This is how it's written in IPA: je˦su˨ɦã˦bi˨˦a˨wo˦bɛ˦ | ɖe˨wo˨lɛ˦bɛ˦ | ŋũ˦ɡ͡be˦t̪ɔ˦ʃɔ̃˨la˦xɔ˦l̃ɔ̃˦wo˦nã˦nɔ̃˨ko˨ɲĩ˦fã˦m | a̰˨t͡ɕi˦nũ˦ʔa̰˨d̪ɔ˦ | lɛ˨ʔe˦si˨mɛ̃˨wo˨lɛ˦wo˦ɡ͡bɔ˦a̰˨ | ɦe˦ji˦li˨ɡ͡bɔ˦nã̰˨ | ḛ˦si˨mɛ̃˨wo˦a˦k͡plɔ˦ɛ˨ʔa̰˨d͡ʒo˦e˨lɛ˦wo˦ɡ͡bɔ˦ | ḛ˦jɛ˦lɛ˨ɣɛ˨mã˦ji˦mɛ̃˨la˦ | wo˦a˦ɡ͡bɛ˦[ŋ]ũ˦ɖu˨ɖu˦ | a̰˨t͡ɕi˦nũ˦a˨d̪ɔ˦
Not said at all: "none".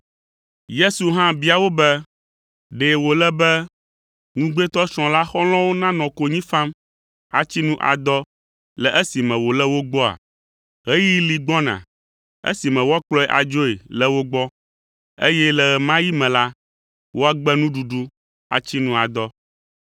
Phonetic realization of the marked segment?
n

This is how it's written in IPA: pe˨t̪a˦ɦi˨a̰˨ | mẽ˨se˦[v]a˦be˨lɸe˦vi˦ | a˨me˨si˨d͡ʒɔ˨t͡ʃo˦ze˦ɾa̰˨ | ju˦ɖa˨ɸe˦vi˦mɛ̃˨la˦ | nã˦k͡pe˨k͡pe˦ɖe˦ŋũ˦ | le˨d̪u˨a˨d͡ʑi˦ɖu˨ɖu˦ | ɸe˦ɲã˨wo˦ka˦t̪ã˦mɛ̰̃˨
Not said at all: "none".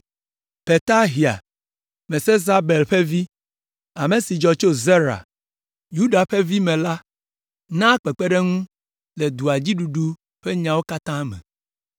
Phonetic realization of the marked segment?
z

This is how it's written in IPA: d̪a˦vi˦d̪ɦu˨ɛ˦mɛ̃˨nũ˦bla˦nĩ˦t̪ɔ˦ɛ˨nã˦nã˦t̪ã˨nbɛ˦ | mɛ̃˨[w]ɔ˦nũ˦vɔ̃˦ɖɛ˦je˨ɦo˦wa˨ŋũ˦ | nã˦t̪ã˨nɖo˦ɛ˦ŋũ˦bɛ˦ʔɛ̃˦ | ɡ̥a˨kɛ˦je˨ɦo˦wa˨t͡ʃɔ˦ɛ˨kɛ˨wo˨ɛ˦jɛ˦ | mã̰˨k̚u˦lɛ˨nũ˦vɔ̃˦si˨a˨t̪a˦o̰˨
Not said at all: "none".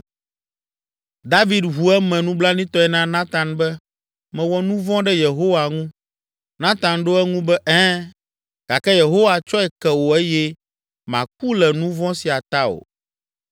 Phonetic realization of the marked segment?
w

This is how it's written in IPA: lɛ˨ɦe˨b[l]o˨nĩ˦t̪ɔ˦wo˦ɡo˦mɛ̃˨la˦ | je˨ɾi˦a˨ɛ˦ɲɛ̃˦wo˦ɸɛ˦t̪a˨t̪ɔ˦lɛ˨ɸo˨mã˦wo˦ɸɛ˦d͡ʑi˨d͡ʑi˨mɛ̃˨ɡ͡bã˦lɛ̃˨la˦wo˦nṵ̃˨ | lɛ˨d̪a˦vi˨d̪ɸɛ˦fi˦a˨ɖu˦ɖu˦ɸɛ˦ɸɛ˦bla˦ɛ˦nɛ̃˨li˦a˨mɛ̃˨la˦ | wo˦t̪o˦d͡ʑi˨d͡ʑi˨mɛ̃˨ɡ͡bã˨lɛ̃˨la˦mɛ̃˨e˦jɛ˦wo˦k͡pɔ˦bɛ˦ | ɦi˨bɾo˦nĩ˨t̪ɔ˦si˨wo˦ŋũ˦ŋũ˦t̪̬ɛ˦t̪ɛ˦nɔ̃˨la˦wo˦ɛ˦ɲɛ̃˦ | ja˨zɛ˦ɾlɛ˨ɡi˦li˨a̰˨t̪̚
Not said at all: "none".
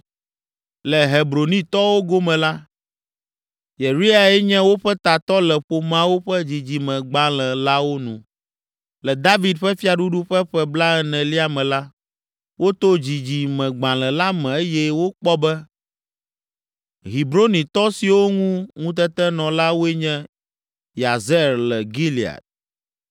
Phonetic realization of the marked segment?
ɾ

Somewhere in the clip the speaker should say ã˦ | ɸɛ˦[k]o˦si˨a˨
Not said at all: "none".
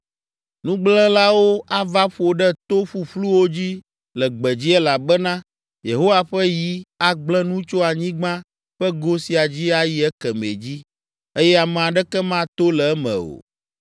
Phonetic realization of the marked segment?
ɡ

